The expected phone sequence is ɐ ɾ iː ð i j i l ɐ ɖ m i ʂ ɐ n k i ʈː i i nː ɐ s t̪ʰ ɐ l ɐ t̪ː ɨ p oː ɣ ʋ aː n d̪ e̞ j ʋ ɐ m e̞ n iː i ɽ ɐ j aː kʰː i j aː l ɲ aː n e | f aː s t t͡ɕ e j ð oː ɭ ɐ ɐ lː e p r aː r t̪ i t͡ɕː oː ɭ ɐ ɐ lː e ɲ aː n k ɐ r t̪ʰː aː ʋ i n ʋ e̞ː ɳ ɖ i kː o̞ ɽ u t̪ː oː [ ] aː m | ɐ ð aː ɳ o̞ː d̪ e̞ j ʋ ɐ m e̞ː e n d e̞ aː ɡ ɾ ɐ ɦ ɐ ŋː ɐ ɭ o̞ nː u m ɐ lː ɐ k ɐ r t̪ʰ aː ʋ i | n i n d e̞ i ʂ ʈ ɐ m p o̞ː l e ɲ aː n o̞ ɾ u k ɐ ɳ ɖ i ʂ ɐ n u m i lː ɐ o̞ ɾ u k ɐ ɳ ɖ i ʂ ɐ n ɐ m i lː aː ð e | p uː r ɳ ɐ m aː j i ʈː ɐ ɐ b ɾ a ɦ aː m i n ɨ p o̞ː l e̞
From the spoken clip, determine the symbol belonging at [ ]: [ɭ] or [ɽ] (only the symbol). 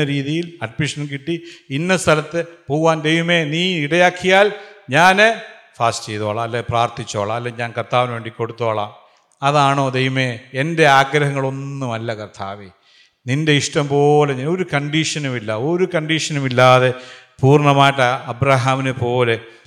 ɭ